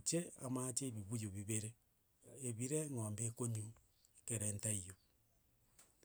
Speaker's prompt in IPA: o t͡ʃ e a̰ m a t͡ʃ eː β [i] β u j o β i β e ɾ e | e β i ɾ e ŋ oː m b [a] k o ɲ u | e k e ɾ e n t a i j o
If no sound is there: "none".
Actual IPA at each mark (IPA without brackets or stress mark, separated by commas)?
i, e